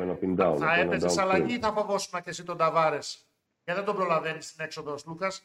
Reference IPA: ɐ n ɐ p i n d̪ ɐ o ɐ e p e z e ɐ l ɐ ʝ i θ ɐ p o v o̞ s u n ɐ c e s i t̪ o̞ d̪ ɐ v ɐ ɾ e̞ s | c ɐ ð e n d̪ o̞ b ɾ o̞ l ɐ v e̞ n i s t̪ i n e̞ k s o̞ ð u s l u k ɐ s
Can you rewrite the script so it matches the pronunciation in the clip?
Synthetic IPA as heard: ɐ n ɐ p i n d̪ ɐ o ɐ e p e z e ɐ l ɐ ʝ i θ ɐ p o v o̞ s u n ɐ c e s i t̪ o̞ d̪ ɐ v ɐ ɾ e̞ s | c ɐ ð e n d̪ o̞ b ɾ o̞ l ɐ v e̞ n i s t̪ i n e̞ k s o̞ ð o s l u k ɐ s